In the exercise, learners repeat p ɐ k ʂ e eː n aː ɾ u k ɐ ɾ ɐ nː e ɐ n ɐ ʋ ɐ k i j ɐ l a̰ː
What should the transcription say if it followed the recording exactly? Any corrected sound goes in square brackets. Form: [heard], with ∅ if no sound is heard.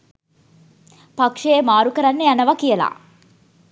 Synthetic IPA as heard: p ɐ k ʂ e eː [m] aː ɾ u k ɐ ɾ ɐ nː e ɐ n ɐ ʋ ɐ k i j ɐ l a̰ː